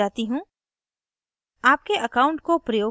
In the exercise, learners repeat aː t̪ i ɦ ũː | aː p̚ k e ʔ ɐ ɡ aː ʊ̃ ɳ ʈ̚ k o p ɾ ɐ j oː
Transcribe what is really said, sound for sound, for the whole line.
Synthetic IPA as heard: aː t̪ i ɦ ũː | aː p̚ k e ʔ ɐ k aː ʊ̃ ɳ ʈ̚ k o p ɾ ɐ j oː